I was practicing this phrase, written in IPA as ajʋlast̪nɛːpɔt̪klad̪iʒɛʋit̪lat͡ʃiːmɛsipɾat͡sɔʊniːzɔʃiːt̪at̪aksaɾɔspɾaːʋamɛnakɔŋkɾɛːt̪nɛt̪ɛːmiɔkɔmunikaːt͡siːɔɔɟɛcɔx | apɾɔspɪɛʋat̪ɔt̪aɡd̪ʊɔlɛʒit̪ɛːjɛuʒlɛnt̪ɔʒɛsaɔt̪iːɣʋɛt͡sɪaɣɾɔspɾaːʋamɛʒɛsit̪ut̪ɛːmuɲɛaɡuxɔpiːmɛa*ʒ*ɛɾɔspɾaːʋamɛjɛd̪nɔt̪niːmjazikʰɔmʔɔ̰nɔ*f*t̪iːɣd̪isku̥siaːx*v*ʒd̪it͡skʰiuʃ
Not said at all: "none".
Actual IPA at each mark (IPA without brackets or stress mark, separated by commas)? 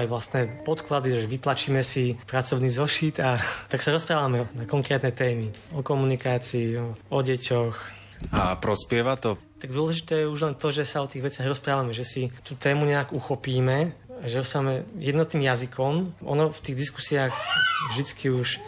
ʒ, f, v